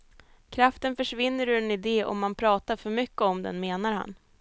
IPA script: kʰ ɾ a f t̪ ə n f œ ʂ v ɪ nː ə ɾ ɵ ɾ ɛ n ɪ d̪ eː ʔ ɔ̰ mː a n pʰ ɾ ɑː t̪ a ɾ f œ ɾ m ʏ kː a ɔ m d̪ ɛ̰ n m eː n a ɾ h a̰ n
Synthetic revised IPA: kʰ ɾ a f t̪ ə n f œ ʂ v ɪ nː ə ɾ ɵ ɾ ɛ n ɪ d̪ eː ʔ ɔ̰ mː a n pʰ ɾ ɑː t̪ a ɾ f œ ɾ m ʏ kː ə ɔ m d̪ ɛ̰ n m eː n a ɾ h a̰ n